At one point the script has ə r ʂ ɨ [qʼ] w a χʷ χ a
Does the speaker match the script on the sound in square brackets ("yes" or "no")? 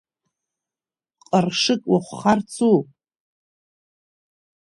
no